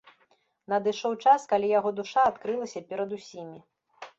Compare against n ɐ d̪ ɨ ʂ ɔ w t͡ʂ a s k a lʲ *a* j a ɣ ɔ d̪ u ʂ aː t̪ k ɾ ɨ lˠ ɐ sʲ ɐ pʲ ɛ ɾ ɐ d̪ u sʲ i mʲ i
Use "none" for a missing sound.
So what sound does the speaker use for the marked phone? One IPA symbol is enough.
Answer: i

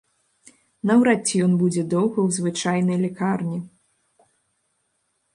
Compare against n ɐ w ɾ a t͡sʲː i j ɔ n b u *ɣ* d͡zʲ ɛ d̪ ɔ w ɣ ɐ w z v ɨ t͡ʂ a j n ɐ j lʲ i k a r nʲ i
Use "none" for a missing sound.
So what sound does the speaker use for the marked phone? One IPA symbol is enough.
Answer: none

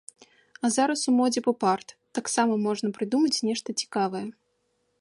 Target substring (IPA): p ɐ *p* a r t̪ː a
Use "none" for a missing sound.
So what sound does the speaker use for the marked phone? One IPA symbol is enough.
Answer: p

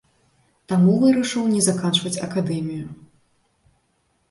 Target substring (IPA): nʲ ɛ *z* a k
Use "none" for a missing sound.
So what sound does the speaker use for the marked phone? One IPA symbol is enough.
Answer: z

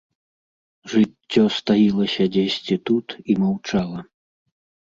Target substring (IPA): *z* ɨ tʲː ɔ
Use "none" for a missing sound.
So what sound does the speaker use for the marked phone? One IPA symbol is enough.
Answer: ʐ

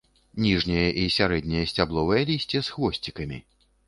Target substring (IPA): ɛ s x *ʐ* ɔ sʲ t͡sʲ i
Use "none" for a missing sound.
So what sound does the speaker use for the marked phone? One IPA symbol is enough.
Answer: v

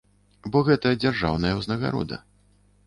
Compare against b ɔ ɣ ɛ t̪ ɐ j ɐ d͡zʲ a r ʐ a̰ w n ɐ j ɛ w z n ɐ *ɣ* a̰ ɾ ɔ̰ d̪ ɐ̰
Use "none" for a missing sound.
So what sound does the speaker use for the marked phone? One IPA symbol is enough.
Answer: ɣ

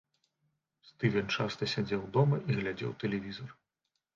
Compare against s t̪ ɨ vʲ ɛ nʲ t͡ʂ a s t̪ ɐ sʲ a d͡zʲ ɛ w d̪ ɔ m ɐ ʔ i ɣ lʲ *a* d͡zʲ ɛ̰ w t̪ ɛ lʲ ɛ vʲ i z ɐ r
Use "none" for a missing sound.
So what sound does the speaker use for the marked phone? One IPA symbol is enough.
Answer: a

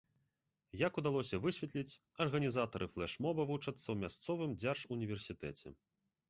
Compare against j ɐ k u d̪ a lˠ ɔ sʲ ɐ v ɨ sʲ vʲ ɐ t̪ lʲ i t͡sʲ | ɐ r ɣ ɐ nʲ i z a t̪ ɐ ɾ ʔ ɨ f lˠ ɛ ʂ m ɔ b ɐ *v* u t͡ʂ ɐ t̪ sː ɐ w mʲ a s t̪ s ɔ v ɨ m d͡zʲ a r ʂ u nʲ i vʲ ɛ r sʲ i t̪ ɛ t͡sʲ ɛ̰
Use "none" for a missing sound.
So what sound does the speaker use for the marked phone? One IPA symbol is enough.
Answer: v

